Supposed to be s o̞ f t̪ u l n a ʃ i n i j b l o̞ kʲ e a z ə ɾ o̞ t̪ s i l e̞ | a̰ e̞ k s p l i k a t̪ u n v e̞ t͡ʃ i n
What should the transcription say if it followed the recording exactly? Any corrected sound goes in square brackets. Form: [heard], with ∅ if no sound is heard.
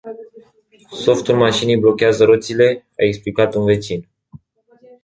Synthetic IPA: s o̞ f t̪ u l [m] a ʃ i n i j b l o̞ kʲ e a z ə ɾ o̞ t̪ s i l e̞ | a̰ e̞ k s p l i k a t̪ u n v e̞ t͡ʃ i n